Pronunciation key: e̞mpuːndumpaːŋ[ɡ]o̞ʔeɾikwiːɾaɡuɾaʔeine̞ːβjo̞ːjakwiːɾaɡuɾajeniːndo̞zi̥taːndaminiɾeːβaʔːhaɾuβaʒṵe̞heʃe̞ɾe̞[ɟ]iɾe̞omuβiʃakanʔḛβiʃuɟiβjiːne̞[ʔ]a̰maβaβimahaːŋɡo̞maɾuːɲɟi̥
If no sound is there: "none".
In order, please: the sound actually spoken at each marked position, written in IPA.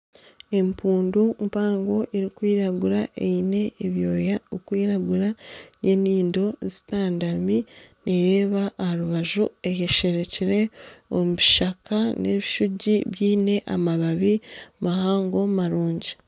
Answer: ɡ, c, ʔ

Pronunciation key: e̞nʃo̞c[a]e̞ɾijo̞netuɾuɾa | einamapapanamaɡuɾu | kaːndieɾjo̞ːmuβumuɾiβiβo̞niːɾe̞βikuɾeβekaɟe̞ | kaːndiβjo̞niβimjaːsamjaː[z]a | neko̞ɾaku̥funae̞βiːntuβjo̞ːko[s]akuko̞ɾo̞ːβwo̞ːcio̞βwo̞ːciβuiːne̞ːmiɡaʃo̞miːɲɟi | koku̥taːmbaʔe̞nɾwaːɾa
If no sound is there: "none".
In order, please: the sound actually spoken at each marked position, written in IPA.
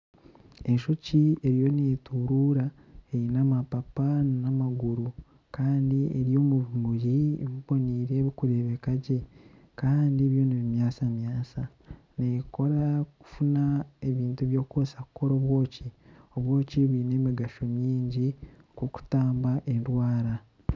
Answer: i, s, s

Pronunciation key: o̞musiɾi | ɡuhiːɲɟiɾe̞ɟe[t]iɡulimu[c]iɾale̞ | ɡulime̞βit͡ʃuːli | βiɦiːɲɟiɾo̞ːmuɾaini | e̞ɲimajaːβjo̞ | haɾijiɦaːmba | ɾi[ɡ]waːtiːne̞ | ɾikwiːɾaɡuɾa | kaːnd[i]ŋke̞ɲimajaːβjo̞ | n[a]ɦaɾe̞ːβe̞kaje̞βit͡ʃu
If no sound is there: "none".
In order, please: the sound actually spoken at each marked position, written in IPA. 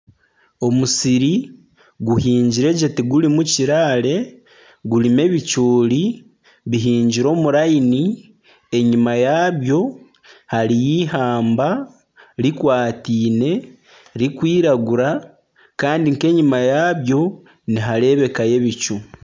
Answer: t, c, k, i, i

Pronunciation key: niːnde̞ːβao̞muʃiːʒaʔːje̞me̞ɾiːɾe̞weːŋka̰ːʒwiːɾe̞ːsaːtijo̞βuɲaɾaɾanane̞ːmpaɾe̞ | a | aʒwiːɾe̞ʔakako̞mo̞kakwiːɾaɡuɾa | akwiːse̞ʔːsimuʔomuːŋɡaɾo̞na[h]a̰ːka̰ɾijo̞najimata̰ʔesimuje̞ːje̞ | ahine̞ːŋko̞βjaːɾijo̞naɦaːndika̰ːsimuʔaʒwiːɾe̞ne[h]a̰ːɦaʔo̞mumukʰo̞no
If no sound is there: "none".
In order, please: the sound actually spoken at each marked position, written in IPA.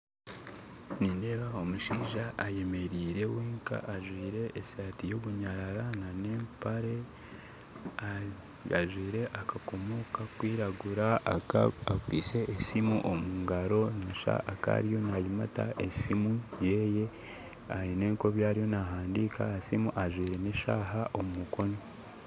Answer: ʃ, ʃ

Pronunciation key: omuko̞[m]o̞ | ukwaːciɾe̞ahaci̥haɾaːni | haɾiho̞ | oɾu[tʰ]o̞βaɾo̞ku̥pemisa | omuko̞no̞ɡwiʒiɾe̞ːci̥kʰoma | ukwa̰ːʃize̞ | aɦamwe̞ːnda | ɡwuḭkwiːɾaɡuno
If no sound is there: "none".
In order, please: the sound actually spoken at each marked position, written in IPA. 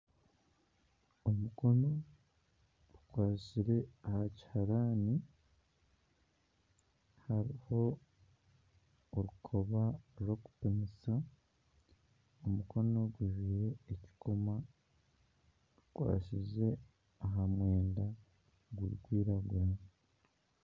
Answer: n, kʰ

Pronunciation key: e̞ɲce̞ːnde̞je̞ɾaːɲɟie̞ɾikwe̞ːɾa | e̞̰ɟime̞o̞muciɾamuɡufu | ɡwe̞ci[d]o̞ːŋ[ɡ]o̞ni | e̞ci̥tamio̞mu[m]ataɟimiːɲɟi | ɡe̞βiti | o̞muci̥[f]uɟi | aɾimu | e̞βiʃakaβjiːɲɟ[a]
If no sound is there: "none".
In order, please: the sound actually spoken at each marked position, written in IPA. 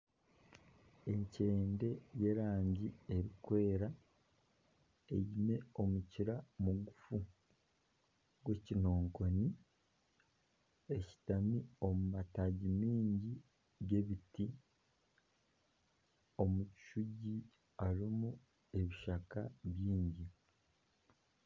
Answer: n, k, m, ʃ, i

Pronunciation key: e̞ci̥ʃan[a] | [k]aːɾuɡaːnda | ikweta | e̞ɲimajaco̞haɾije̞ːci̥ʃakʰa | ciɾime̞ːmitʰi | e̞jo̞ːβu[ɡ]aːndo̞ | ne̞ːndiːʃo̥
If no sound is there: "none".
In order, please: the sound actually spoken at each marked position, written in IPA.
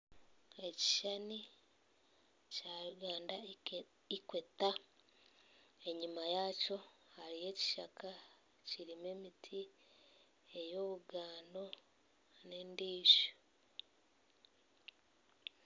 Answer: i, c, ɡ

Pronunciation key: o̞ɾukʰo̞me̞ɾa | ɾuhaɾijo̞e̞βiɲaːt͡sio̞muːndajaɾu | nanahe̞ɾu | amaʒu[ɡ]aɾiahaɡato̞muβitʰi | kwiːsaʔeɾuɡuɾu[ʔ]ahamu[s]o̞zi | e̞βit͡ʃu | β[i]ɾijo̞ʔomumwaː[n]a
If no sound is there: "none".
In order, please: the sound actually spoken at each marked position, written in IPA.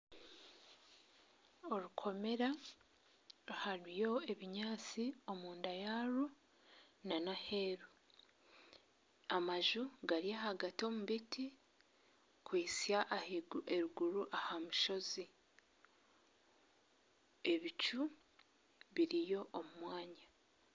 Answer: ɡ, ʔ, ʃ, i, ɲ

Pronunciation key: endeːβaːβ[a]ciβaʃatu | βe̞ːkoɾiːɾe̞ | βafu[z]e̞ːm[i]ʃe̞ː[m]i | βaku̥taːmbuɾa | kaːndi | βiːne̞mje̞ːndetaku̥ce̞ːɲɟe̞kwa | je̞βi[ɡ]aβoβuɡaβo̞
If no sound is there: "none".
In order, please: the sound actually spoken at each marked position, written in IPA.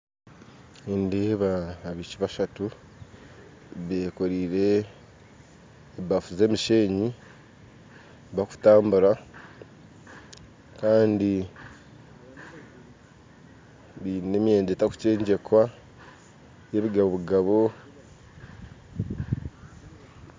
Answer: i, z, i, ɲ, ɡ

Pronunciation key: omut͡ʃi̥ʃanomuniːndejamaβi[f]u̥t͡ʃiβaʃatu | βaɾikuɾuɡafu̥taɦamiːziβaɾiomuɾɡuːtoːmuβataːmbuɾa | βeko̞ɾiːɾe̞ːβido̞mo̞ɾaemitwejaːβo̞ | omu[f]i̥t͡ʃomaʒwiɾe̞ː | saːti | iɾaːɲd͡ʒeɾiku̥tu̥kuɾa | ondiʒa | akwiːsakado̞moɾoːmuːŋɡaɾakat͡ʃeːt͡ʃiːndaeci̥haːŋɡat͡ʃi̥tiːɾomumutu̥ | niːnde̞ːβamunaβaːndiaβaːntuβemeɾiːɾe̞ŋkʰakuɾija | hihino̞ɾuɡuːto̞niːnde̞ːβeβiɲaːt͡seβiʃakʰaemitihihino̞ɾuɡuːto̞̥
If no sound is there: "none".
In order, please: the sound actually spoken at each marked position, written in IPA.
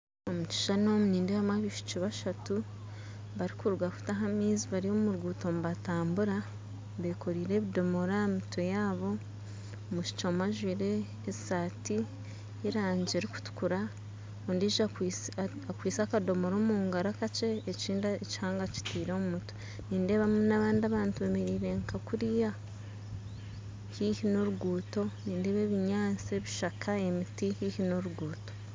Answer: ʃ, ʃ

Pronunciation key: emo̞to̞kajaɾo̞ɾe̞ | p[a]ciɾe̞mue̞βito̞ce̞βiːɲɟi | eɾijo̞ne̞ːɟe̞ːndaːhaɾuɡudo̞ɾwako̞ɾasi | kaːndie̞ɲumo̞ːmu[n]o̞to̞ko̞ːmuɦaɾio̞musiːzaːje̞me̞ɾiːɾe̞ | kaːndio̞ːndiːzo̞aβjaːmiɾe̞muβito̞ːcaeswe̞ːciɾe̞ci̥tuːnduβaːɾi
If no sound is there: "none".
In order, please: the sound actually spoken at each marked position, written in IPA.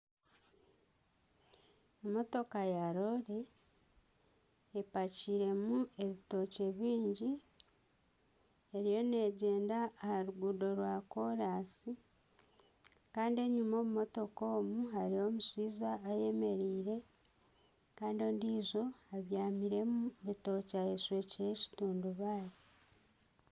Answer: a, m

